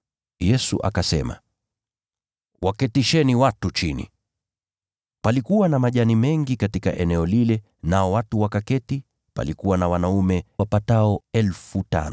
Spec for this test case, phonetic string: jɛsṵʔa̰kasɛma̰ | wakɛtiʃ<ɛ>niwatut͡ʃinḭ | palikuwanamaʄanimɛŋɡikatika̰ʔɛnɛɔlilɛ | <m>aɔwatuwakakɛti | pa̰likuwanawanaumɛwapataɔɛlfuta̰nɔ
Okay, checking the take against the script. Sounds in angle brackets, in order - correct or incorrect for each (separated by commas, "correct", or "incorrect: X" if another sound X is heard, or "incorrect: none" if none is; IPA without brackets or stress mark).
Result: correct, incorrect: n